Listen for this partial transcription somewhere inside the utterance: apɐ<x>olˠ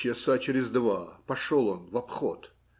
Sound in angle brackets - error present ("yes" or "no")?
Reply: yes